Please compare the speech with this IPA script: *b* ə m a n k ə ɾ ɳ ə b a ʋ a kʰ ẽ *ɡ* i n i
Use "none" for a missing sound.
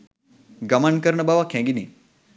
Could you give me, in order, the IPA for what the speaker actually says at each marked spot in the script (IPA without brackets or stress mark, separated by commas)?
ɡ, ɡ